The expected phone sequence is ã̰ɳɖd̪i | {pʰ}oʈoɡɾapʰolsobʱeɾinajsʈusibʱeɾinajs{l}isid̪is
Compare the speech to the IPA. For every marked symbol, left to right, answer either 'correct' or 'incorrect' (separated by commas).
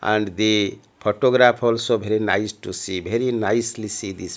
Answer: correct, correct